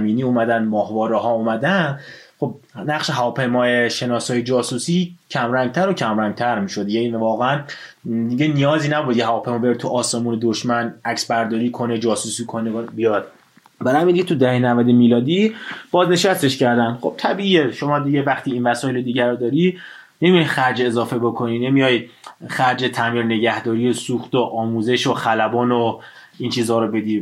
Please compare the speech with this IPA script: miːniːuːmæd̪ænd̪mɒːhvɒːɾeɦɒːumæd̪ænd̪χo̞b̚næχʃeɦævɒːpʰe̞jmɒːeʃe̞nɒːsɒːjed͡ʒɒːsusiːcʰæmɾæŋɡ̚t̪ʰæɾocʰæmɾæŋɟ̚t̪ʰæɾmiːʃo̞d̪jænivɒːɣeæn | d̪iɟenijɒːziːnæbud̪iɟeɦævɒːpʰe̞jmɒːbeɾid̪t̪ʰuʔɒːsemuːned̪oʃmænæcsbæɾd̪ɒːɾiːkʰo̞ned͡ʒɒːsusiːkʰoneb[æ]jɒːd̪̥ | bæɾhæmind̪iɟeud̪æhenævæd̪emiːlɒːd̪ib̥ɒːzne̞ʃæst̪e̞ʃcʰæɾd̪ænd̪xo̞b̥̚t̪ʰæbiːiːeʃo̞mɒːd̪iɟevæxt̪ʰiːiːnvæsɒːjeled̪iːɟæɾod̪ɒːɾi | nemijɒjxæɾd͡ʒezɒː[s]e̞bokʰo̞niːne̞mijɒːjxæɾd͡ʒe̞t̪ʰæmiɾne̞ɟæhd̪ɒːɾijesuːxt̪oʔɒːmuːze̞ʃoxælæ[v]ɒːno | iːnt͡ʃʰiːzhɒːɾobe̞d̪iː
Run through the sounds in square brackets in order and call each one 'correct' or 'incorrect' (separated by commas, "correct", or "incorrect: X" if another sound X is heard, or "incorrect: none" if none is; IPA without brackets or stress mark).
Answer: incorrect: i, incorrect: f, incorrect: b